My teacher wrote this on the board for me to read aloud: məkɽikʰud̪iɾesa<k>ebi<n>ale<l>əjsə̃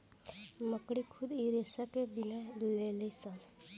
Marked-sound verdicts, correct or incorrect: correct, correct, correct

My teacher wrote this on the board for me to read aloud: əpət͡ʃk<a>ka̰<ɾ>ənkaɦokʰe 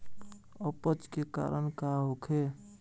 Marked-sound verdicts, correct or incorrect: incorrect, correct

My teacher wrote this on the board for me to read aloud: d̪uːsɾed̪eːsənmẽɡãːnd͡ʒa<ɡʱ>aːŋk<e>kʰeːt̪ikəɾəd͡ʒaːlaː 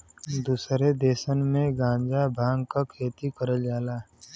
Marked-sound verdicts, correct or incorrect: incorrect, incorrect

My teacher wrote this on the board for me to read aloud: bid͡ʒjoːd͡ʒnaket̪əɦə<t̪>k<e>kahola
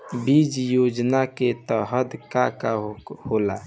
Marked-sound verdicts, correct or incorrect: incorrect, incorrect

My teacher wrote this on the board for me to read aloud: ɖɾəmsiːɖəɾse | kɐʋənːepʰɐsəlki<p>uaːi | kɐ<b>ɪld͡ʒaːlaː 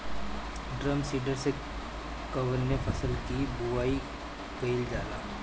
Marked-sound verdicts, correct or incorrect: incorrect, incorrect

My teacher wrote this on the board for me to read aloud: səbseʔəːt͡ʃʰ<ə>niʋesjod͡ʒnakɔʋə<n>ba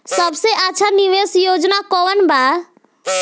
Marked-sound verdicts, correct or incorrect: incorrect, correct

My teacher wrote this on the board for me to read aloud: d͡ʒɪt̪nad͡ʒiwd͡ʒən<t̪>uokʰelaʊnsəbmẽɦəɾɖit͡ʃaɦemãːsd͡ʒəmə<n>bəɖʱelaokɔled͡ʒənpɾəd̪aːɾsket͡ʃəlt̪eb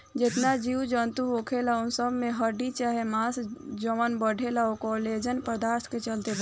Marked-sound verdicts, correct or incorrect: correct, correct

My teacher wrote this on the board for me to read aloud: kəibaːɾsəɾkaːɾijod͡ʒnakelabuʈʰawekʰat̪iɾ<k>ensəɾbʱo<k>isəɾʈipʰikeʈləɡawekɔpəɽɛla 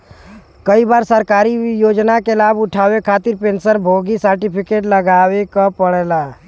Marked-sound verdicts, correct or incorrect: incorrect, incorrect

